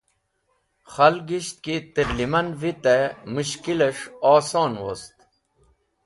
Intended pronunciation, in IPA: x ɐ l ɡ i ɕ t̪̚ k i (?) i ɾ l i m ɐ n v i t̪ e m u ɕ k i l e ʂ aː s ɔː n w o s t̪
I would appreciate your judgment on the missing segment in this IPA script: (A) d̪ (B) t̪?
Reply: B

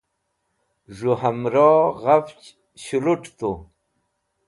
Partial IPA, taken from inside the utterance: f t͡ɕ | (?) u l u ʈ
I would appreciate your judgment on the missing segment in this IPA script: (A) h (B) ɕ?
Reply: B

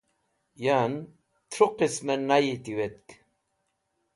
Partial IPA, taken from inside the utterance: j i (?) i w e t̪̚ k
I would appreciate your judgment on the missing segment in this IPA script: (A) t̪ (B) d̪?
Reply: A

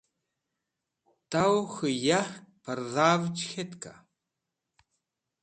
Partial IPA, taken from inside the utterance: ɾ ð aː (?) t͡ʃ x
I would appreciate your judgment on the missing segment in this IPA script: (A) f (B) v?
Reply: B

